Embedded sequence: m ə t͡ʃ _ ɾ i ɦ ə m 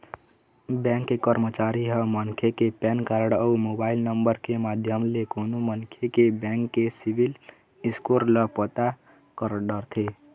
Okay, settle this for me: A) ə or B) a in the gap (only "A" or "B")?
B